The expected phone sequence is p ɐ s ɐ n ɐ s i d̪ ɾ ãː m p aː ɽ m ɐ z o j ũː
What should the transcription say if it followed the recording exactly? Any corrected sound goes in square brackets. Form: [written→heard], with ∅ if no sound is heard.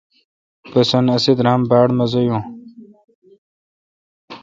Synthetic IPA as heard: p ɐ s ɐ n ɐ s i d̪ ɾ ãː m [p→b] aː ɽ m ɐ z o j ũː